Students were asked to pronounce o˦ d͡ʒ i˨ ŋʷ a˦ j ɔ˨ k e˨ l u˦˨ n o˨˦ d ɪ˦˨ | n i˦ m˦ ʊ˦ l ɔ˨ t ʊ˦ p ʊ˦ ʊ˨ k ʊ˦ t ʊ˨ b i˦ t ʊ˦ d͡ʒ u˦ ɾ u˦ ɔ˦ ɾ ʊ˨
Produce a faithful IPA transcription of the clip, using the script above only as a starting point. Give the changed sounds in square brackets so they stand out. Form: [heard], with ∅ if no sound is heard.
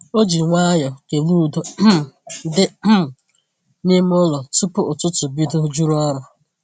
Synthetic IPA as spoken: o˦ d͡ʒ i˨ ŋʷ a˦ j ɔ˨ k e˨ l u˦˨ [d] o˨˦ d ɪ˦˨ | n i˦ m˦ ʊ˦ l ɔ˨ t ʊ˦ p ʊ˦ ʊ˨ [t] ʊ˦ t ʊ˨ b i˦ [d] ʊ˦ d͡ʒ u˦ ɾ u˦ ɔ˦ ɾ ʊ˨